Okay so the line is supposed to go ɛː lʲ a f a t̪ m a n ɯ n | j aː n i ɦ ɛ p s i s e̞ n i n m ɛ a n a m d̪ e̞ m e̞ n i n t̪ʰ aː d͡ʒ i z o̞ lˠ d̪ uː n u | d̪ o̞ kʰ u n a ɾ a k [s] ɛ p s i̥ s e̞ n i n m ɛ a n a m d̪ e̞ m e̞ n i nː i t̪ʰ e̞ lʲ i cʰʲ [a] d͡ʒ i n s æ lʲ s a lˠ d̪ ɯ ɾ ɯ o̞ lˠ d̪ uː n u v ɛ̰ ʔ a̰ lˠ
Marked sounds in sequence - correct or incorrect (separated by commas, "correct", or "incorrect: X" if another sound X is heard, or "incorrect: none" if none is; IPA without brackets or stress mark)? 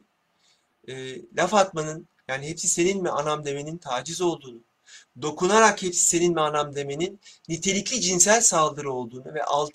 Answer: incorrect: h, incorrect: i